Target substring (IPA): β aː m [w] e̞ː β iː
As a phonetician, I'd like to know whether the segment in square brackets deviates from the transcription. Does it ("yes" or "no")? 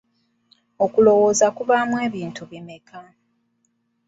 no